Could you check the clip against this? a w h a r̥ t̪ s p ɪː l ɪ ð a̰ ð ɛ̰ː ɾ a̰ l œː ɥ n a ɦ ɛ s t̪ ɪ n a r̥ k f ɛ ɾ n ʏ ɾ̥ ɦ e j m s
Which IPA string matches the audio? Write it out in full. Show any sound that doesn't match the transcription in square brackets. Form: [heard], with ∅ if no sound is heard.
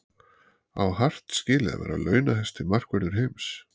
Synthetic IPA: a w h a r̥ t̪ s [c] ɪː l ɪ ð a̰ [v] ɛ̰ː ɾ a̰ l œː ɥ n a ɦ ɛ s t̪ ɪ [m] a r̥ k [v] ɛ ɾ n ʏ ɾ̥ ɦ e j m s

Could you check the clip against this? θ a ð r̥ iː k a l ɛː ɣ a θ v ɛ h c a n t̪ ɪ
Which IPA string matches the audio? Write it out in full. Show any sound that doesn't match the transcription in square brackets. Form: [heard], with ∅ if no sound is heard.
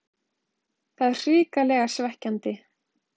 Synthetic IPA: θ a ð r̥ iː k a l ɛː ɣ a [s] v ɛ h c a n t̪ ɪ

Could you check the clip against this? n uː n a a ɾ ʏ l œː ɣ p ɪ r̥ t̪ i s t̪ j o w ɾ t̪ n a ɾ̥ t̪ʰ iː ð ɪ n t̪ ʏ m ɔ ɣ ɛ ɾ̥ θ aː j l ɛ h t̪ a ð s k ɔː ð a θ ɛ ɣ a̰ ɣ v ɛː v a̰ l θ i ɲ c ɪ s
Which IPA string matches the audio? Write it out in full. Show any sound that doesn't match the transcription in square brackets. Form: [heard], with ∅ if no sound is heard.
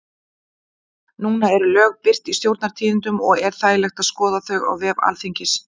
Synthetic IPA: n uː n a [ɛ] ɾ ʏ l œː ɣ p ɪ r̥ t̪ i s t̪ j o w ɾ t̪ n a ɾ̥ t̪ʰ iː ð ɪ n t̪ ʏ m ɔ ɣ ɛ ɾ̥ θ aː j l ɛ [x] t̪ a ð s k ɔː ð a θ [œ] ɣ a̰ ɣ v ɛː v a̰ l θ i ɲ c ɪ s

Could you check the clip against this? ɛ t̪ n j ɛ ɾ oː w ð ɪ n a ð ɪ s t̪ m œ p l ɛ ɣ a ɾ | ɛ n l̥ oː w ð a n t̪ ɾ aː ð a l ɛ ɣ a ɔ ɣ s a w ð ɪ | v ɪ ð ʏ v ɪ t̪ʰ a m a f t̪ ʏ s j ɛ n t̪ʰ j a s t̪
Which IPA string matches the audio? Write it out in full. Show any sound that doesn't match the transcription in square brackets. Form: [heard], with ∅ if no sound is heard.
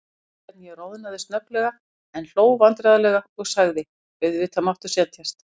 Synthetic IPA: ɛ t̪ n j ɛ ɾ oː w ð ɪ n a ð ɪ s t̪ [n] œ p l ɛ ɣ a [∅] | ɛ n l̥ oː w [v] a n t̪ ɾ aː ð a l ɛ ɣ a ɔ ɣ s a [ɣ] ð ɪ | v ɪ ð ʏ v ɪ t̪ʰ a m a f t̪ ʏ s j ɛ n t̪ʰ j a s t̪

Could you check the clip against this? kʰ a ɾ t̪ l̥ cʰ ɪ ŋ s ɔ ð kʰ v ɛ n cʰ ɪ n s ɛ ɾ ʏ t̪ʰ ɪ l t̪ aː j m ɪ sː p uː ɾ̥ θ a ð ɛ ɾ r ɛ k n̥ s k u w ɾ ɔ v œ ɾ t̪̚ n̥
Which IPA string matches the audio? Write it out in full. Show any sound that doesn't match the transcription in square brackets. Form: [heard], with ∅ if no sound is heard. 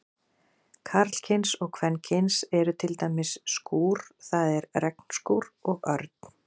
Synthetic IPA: kʰ a ɾ t̪ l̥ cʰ ɪ [n] s ɔ [ɣ] kʰ v ɛ n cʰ ɪ n s ɛ ɾ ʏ t̪ʰ ɪ l t̪ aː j m ɪ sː [k] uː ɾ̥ θ a ð ɛ ɾ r ɛ k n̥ s k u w ɾ ɔ [ɣ] œ ɾ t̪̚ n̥

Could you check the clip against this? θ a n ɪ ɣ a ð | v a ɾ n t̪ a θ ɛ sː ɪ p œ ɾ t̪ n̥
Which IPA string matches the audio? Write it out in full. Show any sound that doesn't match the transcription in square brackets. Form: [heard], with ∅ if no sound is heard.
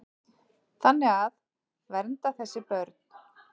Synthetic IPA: θ a [nː] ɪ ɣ a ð | v [ɛ] ɾ n t̪ a θ ɛ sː ɪ p œ ɾ t̪ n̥

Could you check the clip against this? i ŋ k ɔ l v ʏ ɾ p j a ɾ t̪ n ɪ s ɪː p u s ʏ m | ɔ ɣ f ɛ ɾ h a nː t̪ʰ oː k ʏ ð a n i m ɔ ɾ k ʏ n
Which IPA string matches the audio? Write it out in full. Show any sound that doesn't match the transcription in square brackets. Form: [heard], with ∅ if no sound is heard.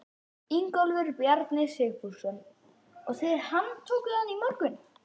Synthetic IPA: i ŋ k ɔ l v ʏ ɾ p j a ɾ t̪ n ɪ s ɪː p u s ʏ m | ɔ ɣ [θ] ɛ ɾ h a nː t̪ʰ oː k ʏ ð a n i m ɔ ɾ k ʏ n

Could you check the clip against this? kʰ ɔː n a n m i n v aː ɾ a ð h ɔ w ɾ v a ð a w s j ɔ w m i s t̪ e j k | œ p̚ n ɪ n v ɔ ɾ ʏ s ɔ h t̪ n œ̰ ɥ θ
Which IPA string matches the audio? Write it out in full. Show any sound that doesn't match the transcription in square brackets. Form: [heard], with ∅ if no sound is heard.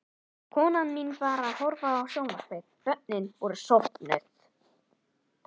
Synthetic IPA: kʰ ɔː n a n m i n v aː ɾ a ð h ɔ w ɾ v a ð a w s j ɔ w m [a] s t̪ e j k | œ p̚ n ɪ n v ɔ ɾ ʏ s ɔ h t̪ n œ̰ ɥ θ

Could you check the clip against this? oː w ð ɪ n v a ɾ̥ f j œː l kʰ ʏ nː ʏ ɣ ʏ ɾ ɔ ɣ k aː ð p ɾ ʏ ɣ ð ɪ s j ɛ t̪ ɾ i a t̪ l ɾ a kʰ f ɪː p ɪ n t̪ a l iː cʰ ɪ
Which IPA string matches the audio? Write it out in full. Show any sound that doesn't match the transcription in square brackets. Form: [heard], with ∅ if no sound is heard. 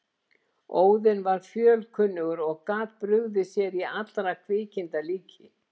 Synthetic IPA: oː w ð ɪ n v a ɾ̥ f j œː l kʰ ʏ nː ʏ ɣ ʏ ɾ ɔ ɣ k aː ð p ɾ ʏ ɣ ð ɪ s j ɛ [∅] ɾ i a t̪ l ɾ a kʰ [v] ɪː [c] ɪ n t̪ a l iː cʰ ɪ

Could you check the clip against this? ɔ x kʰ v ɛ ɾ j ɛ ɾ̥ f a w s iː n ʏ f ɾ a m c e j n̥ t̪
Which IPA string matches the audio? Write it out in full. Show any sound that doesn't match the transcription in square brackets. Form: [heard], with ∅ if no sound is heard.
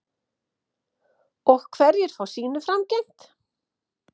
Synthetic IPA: ɔ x kʰ v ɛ ɾ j ɛ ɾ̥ f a w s iː n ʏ f ɾ a m c e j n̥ t̪

